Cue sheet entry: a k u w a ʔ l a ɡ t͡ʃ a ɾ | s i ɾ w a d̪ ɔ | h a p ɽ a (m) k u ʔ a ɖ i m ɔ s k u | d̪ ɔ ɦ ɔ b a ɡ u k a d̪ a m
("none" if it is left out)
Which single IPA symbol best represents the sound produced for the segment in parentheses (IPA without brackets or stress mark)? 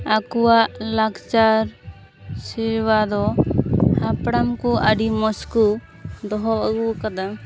m